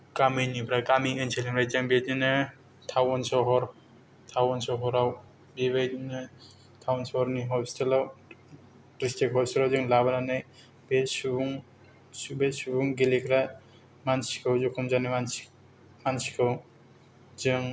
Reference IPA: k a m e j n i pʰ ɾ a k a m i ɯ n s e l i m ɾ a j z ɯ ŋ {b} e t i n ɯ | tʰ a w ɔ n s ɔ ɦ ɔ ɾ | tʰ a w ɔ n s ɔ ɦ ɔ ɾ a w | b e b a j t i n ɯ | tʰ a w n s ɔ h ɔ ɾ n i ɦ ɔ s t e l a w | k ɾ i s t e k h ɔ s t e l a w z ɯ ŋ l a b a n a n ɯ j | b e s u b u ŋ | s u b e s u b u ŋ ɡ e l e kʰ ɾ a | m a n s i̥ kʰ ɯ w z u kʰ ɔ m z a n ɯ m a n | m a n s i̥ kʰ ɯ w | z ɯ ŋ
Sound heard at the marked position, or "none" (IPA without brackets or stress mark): b